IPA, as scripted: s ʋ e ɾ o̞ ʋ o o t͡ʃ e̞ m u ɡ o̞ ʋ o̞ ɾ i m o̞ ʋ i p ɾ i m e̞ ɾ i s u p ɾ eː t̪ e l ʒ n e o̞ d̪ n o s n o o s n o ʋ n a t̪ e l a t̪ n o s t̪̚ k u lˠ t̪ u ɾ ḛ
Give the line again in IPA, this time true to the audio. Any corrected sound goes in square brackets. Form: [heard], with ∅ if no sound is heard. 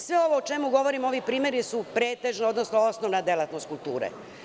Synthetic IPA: s ʋ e [∅] o̞ ʋ o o t͡ʃ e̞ m u ɡ o̞ ʋ o̞ ɾ i m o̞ ʋ i p ɾ [iː] m e̞ ɾ i s u p ɾ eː t̪ e [∅] ʒ n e o̞ d̪ n o s n o o s n o ʋ n a [d̪] e l a t̪ n o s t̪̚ k u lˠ t̪ [uː] ɾ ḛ